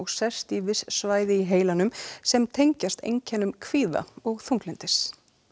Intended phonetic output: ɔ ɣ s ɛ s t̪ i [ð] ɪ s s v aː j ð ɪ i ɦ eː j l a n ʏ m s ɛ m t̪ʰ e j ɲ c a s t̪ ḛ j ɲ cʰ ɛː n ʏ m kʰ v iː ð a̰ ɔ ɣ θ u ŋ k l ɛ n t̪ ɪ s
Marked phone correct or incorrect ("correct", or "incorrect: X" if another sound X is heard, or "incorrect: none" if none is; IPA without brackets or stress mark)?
incorrect: v